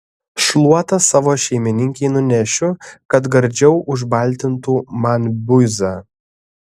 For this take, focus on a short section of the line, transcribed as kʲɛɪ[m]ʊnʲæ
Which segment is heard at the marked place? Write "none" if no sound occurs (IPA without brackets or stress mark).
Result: n